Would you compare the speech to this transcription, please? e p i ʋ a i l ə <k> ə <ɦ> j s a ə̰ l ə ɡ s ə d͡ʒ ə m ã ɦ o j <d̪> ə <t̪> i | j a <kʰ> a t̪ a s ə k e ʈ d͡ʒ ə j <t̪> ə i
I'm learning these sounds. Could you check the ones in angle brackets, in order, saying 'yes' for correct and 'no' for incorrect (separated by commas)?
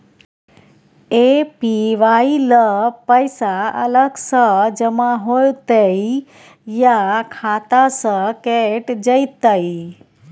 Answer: no, no, no, no, yes, yes